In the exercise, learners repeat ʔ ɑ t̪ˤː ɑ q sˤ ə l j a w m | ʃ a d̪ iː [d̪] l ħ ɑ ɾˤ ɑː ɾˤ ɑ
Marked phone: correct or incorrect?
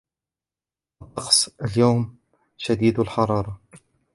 correct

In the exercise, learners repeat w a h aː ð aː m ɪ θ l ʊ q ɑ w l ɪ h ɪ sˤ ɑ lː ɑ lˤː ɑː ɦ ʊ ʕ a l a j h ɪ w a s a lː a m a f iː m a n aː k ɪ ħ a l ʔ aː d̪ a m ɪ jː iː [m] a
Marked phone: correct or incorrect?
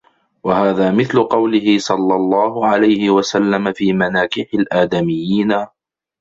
incorrect: n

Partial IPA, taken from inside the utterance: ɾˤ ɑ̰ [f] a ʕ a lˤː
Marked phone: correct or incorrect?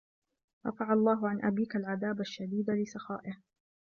correct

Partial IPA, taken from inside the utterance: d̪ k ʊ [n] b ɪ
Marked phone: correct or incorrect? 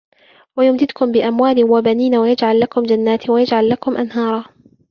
incorrect: m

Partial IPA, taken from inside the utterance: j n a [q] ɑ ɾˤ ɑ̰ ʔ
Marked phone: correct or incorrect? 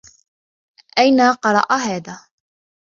correct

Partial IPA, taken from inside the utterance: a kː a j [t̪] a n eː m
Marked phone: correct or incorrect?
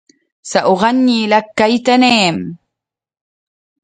correct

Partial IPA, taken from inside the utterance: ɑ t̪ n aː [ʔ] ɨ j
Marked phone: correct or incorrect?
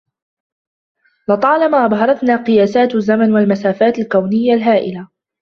incorrect: q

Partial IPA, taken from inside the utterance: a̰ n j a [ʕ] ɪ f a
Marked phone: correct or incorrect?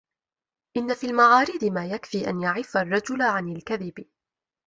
correct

